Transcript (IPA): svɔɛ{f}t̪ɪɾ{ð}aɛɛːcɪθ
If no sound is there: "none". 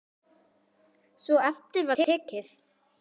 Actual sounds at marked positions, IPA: f, v

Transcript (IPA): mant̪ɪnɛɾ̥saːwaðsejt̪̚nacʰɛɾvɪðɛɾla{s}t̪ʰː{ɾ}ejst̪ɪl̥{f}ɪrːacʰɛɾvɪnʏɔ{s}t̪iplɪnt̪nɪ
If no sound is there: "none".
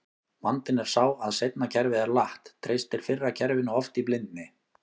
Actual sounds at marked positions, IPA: h, ɾ, f, f

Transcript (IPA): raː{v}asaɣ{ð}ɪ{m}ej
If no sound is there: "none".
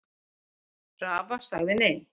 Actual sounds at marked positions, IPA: v, ð, n

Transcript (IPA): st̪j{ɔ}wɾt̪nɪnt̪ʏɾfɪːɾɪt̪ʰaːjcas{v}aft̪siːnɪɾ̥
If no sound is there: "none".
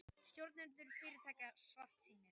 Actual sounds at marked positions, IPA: o, v

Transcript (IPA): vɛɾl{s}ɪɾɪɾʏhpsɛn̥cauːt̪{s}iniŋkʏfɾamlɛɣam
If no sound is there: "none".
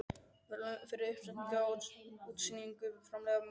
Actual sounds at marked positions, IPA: f, s

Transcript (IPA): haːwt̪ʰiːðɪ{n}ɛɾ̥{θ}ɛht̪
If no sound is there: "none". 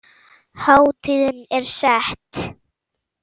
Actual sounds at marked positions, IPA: n, s

